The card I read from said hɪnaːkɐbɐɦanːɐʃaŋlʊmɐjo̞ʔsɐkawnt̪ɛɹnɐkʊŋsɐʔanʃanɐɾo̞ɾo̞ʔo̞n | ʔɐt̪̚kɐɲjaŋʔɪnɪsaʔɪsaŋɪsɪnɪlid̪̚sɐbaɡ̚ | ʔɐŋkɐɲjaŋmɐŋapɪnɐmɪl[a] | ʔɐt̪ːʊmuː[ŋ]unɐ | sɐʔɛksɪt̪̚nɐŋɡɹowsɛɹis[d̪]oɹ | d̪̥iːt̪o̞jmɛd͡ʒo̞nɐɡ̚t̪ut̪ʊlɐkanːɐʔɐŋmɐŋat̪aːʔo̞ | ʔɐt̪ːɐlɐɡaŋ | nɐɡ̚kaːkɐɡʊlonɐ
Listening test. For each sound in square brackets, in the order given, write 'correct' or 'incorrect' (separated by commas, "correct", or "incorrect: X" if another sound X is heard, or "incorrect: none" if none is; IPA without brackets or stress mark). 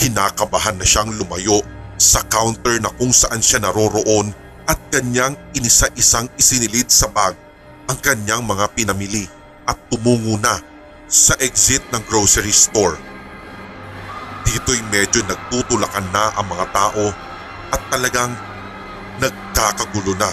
incorrect: i, correct, incorrect: t̪